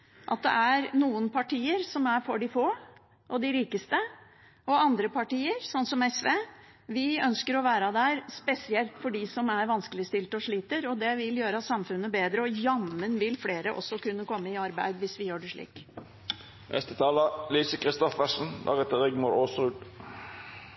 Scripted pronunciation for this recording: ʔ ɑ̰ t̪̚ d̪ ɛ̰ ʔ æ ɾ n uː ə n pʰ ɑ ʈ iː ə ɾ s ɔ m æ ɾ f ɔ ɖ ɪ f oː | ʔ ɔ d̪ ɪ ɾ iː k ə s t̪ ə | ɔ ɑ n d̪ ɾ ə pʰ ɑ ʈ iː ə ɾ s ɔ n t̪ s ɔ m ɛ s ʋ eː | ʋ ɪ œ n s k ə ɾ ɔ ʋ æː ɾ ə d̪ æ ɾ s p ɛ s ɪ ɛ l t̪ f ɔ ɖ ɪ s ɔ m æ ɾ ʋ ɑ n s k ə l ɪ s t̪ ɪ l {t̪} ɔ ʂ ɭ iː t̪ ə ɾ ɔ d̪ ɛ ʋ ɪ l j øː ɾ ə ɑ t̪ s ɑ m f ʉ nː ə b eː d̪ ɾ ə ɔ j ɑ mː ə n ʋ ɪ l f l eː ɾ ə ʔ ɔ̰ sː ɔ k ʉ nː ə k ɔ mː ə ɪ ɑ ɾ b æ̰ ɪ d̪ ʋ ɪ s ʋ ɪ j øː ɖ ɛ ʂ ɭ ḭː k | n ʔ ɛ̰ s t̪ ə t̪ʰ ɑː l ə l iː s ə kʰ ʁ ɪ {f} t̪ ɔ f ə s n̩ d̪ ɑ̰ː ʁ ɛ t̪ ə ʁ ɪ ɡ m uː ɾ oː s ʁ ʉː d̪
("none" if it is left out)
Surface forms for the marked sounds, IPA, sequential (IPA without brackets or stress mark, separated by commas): t̪, s